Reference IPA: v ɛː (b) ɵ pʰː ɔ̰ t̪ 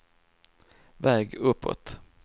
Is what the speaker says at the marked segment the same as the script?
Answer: no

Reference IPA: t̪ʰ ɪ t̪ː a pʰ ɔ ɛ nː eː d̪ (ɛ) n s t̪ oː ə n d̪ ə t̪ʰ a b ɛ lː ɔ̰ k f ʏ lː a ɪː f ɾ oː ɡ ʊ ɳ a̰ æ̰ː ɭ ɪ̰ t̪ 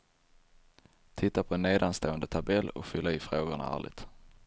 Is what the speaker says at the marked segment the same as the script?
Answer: no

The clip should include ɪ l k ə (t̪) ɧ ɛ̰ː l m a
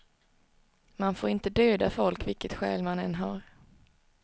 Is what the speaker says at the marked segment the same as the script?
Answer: yes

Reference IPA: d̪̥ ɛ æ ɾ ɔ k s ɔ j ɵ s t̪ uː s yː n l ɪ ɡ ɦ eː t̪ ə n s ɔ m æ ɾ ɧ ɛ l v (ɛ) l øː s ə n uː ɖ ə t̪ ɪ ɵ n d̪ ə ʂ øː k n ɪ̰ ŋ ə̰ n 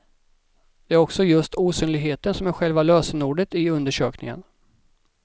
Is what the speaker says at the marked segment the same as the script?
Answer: no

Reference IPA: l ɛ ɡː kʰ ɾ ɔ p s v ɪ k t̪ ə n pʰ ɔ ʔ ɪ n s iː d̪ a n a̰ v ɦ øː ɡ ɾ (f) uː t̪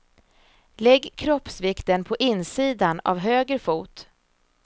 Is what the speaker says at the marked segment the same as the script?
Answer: yes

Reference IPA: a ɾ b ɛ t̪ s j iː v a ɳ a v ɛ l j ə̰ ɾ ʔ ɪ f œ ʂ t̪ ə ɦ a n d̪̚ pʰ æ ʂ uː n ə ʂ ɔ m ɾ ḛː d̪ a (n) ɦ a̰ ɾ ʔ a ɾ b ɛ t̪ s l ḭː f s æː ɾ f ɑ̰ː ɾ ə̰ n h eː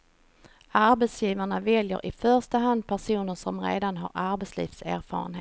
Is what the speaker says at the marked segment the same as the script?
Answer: yes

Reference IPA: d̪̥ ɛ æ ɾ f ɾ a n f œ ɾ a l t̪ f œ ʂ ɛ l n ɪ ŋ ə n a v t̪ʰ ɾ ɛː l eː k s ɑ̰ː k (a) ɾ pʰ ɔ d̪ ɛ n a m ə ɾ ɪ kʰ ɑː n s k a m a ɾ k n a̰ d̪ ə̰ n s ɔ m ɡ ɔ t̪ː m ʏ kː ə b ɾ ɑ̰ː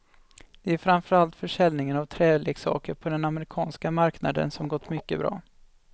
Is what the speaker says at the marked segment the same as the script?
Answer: no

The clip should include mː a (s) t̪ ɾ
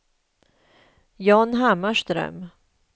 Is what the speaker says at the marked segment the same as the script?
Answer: no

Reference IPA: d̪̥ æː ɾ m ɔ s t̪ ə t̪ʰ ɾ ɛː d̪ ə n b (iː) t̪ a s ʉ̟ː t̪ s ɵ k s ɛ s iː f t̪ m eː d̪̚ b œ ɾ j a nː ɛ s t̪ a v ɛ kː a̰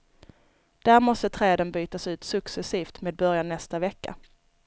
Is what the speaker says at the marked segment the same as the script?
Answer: no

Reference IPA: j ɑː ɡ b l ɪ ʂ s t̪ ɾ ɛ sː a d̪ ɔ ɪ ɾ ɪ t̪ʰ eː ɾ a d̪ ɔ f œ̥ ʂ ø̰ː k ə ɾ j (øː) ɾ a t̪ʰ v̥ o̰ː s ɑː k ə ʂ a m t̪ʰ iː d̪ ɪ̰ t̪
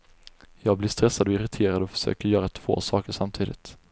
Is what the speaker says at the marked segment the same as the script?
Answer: no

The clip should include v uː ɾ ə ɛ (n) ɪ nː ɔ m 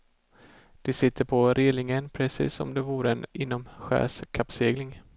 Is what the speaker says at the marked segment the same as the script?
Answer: yes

